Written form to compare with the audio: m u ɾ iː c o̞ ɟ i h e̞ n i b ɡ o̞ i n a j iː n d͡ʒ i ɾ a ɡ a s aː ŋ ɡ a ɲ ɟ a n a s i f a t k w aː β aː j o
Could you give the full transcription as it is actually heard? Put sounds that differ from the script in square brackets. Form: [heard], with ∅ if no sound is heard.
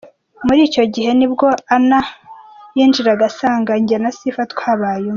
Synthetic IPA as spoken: m u ɾ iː c o̞ ɟ i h e̞ n i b ɡ o̞ [a] n a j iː n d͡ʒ i ɾ a ɡ a s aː ŋ ɡ a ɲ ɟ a n a s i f a t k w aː β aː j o